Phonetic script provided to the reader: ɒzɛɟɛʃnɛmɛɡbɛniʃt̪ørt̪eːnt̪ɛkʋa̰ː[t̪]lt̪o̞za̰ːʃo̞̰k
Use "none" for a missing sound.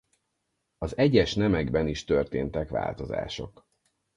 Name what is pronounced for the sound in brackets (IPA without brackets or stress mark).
none